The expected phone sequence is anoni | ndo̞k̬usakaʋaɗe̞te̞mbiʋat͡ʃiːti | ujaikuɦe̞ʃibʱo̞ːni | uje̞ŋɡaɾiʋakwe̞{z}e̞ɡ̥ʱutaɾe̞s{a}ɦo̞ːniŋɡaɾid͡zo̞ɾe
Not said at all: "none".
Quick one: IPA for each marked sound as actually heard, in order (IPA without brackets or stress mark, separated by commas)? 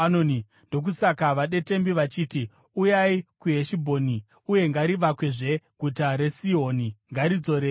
ʐ, i